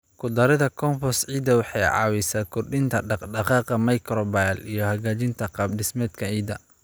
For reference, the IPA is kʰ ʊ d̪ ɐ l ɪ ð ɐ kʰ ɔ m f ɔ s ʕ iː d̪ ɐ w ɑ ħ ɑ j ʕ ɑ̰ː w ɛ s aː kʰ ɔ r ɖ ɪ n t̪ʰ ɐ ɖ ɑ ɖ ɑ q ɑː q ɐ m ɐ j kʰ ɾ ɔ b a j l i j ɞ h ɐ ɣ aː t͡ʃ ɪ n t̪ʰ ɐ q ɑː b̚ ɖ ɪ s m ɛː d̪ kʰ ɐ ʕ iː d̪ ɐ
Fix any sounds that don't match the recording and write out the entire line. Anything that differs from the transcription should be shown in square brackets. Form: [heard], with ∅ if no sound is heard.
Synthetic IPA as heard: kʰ ʊ d̪ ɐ [ɾ] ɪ ð ɐ kʰ ɔ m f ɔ s ʕ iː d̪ ɐ w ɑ ħ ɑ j ʕ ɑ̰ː w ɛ s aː kʰ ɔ r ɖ ɪ n t̪ʰ ɐ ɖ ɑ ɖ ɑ q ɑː q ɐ m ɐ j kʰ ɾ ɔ b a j l i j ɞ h ɐ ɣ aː t͡ʃ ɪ n t̪ʰ ɐ q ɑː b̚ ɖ ɪ s m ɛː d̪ kʰ ɐ ʕ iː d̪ ɐ